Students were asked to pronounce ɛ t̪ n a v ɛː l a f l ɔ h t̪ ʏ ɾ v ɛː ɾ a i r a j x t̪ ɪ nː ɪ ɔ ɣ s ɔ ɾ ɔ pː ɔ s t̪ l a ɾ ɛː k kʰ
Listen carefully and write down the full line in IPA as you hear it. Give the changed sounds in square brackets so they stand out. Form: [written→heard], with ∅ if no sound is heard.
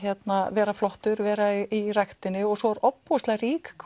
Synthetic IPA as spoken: ɛ t̪ n a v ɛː [l→ɾ] a f l ɔ h t̪ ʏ ɾ v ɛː ɾ a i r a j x t̪ ɪ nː ɪ ɔ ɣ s ɔ ɾ ɔ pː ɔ s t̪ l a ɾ [ɛː→iː] k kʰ